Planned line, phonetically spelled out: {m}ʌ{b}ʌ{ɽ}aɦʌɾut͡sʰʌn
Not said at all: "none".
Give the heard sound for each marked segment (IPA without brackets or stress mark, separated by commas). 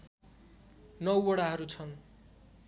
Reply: n, w, ɽ